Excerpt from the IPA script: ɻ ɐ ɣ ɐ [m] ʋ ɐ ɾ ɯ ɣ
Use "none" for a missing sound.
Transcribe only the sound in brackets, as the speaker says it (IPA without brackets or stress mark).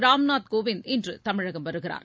m